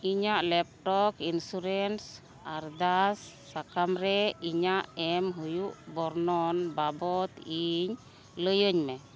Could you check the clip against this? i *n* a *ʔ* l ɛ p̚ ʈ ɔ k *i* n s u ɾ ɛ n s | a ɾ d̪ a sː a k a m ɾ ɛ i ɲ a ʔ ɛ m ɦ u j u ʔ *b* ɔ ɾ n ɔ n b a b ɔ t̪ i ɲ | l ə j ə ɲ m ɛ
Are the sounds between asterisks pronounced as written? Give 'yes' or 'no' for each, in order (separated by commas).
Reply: no, yes, yes, yes